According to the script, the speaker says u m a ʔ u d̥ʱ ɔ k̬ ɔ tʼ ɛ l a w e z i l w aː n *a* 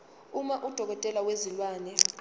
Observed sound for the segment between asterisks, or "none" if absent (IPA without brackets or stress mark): ɛ